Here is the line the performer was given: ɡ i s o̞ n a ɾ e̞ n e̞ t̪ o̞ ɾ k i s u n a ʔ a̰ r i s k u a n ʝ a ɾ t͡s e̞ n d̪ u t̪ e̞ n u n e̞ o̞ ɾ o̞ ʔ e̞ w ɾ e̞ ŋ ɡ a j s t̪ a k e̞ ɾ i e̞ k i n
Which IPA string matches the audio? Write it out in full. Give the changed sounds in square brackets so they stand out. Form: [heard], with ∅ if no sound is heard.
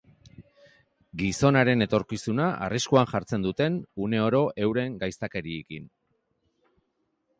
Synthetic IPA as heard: ɡ i s o̞ n a ɾ e̞ n e̞ t̪ o̞ ɾ k i s u n a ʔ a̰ r i s k u a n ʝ a ɾ t͡s e̞ n d̪ u t̪ e̞ n u n e̞ o̞ ɾ o̞ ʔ e̞ w ɾ e̞ ŋ ɡ a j s t̪ a k e̞ ɾ i e̞ k i n